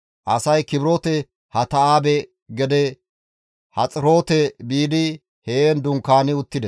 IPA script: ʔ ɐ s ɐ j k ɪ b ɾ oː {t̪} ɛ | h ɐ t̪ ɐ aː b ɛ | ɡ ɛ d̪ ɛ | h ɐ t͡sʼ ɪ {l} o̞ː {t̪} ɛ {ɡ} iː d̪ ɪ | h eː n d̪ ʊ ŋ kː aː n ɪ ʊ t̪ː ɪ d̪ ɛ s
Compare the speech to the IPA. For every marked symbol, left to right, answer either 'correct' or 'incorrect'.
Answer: correct, incorrect, correct, incorrect

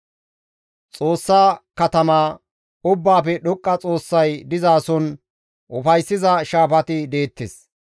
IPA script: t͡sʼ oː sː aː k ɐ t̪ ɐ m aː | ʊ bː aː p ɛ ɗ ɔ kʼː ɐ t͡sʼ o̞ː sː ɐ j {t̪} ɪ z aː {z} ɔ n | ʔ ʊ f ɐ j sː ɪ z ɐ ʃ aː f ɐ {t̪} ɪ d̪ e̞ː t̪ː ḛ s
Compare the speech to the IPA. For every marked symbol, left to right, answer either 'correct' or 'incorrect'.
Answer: incorrect, incorrect, correct

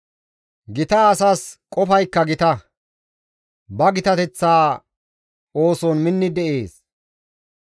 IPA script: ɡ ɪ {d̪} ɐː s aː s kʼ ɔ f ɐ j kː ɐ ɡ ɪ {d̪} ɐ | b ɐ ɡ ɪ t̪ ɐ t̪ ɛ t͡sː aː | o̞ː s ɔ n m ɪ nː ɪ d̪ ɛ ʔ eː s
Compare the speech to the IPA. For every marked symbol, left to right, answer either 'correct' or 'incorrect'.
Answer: incorrect, incorrect

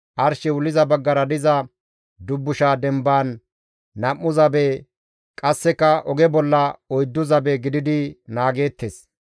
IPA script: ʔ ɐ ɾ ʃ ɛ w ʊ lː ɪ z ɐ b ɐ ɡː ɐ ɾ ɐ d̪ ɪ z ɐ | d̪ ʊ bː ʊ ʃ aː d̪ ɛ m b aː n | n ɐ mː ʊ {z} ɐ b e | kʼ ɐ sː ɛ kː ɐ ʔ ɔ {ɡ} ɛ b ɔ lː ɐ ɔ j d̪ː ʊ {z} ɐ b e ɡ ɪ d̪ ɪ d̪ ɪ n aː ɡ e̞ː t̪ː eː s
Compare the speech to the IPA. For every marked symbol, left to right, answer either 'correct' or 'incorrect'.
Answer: correct, correct, correct

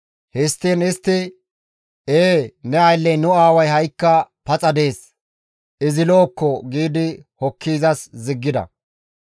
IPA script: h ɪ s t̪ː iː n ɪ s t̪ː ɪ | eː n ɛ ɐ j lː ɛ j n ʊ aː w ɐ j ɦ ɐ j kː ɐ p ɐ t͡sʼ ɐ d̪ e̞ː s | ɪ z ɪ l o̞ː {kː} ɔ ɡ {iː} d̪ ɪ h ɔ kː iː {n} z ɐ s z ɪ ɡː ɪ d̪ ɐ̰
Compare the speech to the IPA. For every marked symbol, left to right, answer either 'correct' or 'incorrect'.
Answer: correct, correct, incorrect

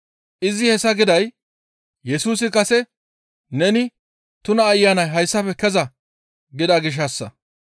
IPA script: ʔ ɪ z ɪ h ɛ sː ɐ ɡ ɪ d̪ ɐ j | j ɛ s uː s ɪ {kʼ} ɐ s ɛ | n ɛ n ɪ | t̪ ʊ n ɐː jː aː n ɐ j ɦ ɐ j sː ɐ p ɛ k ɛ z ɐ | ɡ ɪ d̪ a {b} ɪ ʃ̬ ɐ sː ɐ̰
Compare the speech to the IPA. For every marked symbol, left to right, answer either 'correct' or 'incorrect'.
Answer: incorrect, incorrect

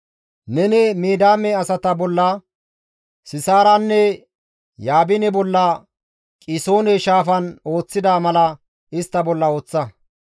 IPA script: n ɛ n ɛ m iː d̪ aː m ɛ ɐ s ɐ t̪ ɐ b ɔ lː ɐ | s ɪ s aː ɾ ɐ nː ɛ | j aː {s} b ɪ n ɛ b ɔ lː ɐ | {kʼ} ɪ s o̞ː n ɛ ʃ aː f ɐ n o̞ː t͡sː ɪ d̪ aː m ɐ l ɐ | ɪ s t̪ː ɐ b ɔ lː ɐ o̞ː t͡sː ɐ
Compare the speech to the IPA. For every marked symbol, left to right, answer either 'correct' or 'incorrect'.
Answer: incorrect, correct

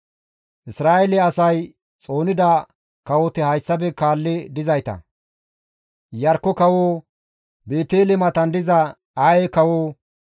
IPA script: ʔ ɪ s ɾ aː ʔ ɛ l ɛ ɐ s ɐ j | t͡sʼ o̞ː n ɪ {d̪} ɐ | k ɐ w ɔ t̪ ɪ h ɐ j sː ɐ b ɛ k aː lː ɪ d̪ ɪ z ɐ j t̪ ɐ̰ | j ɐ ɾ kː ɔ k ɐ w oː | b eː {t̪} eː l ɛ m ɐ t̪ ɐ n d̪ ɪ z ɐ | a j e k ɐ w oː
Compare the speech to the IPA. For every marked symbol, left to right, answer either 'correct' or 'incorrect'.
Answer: correct, correct

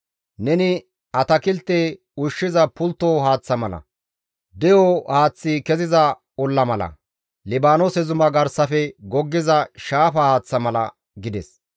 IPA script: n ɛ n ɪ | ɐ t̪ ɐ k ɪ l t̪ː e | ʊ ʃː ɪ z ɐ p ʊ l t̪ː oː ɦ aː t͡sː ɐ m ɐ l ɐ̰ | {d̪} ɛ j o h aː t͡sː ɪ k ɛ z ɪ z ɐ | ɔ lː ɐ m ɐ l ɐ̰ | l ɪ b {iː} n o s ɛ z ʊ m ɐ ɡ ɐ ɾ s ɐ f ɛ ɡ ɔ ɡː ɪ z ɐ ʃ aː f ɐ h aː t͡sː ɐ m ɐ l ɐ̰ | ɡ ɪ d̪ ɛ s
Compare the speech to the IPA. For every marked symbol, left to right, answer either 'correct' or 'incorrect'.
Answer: correct, incorrect

